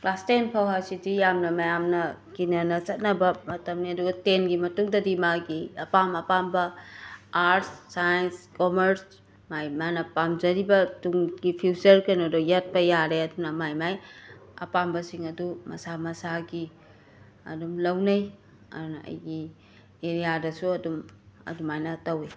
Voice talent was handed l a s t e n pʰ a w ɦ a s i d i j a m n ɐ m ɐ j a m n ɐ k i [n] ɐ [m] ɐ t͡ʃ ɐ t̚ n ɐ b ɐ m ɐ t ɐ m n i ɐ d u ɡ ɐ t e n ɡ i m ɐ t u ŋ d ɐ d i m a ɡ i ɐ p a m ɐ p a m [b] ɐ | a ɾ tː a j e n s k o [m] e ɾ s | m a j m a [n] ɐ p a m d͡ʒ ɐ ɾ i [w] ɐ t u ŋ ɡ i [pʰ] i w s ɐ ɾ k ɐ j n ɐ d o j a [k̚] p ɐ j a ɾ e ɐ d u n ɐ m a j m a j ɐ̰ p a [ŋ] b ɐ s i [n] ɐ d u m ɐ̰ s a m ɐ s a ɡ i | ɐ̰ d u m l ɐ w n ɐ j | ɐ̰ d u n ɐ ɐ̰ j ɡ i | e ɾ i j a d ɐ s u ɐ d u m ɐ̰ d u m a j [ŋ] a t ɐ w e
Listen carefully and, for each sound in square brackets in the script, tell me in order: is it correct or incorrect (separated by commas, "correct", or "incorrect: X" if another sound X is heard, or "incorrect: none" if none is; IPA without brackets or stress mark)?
correct, incorrect: n, correct, correct, correct, incorrect: b, correct, incorrect: t̚, incorrect: m, incorrect: ŋ, incorrect: n